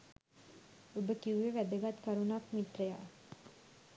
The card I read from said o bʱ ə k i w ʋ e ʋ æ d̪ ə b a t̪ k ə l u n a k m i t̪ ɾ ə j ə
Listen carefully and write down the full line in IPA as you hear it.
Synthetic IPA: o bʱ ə k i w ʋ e ʋ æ d̪ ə ɡ a t̪ k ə ɾ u n a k m i t̪ ɾ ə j a